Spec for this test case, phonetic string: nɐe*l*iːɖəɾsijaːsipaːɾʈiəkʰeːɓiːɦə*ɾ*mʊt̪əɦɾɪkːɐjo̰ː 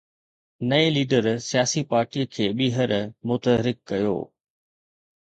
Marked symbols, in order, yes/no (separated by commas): yes, yes